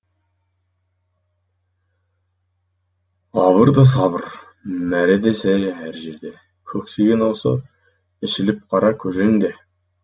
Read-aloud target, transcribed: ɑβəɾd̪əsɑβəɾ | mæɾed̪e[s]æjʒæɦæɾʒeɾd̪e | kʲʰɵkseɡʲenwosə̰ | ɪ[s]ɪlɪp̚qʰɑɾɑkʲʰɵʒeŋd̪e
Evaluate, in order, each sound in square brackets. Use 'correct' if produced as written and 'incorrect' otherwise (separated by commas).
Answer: correct, incorrect